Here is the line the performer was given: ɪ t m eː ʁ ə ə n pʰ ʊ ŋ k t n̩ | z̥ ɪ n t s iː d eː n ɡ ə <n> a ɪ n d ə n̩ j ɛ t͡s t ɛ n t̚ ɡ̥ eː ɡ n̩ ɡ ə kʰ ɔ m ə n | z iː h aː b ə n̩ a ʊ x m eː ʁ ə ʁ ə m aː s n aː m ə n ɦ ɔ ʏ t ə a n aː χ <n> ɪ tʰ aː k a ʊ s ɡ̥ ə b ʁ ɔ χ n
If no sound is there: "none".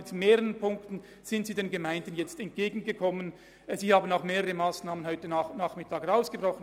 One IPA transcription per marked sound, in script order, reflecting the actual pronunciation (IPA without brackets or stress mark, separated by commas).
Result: m, m